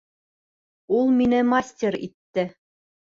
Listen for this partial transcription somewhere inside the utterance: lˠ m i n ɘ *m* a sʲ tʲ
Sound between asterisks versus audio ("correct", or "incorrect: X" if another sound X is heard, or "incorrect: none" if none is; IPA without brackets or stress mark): correct